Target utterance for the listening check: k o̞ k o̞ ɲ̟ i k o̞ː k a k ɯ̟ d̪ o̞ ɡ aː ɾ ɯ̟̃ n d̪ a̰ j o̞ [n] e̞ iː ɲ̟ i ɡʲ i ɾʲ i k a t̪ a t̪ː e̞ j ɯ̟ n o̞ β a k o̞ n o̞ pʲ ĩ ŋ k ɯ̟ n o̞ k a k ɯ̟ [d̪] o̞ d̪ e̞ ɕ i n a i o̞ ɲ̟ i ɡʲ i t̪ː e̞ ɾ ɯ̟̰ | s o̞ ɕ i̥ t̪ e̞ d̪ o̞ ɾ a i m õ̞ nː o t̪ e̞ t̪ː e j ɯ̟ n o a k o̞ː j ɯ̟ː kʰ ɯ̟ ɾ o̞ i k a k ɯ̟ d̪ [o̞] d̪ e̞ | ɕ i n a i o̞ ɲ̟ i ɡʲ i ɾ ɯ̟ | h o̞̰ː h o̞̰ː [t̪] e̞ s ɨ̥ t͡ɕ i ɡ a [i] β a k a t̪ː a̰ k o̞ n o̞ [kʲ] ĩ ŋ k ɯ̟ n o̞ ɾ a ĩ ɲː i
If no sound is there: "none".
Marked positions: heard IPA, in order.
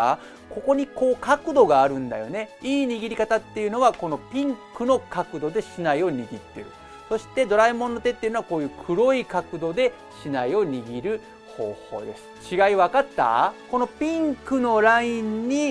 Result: n, d̪, o̞, d̪, i, pʲ

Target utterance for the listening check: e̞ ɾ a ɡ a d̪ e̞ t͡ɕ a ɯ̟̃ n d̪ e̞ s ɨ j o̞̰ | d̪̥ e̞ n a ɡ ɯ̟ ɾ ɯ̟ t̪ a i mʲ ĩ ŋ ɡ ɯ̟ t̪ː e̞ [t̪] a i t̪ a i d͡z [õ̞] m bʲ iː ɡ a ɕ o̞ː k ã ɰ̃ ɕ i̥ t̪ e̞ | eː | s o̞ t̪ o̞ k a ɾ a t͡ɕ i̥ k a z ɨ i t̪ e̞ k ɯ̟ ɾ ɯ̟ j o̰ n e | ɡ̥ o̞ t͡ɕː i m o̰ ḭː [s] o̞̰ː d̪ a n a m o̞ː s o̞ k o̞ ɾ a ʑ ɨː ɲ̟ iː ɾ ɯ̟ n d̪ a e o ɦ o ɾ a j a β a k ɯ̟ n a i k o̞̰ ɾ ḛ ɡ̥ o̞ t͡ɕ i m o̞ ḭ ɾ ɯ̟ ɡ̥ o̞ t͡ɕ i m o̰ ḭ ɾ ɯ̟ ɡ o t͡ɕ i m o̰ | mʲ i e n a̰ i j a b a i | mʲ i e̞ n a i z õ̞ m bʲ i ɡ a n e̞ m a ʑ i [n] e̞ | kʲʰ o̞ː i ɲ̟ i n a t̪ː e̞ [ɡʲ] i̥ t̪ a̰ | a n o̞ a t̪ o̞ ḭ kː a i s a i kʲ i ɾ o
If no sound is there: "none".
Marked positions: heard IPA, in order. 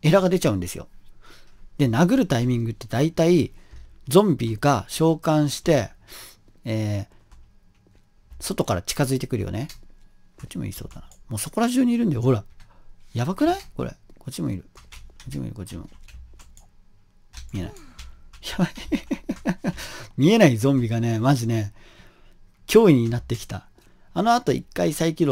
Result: d̪, õ̞, s, n, kʲ

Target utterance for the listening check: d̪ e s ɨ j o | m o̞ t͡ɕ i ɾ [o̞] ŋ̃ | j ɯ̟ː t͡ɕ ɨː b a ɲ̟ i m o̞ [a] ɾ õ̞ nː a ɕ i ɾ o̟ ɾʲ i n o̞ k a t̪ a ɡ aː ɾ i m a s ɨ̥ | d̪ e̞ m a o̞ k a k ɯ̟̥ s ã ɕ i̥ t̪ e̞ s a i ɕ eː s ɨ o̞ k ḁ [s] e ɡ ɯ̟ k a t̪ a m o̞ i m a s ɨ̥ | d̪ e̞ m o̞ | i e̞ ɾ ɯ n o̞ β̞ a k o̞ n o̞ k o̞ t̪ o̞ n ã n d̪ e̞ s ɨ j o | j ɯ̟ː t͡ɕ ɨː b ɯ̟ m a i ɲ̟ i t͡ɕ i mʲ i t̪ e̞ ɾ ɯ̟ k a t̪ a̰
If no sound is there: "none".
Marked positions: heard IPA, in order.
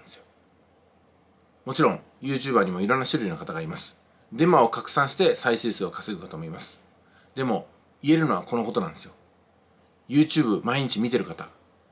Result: õ̞, i, s

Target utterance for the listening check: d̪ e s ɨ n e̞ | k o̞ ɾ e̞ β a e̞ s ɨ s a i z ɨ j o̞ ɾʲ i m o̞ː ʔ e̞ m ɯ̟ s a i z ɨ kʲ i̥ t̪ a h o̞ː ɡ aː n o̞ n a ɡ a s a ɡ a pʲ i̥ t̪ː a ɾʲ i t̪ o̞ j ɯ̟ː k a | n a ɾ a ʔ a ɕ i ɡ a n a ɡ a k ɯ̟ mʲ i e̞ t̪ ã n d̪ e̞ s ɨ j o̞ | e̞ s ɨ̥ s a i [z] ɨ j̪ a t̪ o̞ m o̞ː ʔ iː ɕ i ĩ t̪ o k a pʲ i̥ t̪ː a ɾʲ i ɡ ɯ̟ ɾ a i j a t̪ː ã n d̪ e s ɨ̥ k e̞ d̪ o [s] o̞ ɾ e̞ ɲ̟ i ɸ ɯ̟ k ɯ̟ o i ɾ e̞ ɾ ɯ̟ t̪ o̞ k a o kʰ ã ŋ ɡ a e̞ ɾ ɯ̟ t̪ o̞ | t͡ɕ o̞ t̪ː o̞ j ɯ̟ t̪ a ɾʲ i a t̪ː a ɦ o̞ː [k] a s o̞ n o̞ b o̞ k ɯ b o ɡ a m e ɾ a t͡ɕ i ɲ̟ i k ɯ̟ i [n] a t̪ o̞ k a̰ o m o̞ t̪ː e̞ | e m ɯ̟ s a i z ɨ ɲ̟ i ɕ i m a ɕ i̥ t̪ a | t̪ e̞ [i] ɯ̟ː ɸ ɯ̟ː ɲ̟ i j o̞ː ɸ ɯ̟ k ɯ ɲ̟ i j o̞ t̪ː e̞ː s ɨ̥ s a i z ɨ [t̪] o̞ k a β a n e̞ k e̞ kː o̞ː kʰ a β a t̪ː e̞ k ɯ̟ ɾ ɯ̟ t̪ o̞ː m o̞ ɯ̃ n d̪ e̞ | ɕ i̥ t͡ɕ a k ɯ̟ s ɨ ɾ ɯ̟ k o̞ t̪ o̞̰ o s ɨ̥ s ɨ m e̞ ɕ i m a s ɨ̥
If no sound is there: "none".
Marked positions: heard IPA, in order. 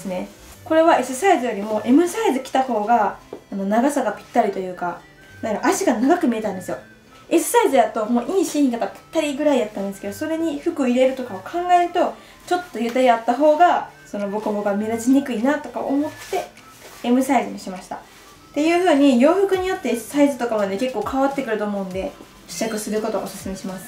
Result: z, s, ɡ, n, j, t̪

